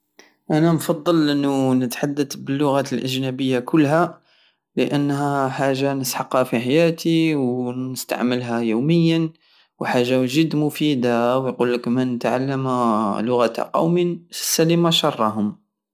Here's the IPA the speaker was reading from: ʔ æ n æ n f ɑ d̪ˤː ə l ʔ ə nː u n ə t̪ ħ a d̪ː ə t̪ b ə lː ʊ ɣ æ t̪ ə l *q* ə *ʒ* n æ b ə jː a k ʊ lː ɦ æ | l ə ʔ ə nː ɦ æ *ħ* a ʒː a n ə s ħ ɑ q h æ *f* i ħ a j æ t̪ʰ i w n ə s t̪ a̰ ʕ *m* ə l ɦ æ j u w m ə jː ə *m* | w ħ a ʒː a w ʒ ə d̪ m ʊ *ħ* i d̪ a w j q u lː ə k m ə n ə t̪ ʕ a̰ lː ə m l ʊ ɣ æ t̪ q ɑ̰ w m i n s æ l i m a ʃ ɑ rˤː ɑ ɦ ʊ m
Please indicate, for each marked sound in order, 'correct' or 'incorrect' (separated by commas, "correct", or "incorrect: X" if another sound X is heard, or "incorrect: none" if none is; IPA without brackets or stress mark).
incorrect: ʔ, correct, correct, correct, correct, incorrect: n, incorrect: f